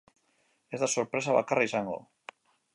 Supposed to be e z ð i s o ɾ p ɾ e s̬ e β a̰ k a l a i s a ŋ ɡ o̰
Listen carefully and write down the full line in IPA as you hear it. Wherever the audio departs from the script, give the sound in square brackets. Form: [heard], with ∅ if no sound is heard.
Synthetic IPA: e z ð [a] s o ɾ p ɾ e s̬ [a] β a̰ k a [r] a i s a ŋ ɡ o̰